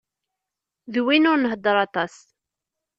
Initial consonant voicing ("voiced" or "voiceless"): voiced